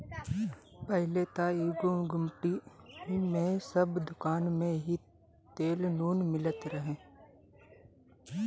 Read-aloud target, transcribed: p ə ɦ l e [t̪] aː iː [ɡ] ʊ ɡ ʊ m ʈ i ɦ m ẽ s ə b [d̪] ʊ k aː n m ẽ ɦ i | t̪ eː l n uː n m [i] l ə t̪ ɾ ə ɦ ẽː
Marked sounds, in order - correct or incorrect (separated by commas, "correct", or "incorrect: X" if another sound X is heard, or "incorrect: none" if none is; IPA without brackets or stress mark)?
correct, correct, correct, incorrect: ɪ